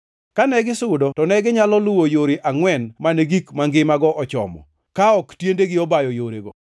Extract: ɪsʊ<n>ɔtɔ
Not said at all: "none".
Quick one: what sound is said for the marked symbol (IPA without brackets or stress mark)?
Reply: d